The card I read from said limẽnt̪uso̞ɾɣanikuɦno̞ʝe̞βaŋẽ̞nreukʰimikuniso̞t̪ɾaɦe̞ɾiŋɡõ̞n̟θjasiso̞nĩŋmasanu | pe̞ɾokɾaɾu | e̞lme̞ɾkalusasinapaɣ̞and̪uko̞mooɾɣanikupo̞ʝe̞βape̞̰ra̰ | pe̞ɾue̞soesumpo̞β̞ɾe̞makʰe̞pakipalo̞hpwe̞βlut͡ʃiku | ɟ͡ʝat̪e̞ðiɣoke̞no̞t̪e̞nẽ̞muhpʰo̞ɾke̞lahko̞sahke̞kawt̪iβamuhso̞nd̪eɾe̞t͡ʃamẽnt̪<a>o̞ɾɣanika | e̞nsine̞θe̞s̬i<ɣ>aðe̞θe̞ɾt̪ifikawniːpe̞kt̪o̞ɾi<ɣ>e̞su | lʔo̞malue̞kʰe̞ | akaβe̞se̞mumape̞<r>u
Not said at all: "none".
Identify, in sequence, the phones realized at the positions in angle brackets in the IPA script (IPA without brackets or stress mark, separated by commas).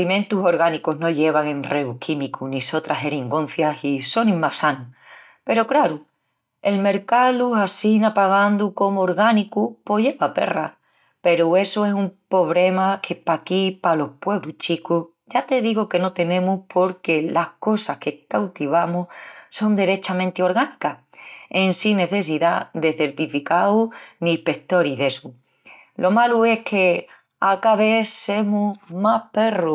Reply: e, ð, ð, r